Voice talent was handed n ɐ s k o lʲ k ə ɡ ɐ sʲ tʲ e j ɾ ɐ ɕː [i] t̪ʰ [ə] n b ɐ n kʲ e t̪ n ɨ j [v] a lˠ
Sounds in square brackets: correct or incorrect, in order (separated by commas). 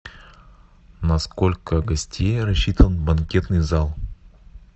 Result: correct, correct, incorrect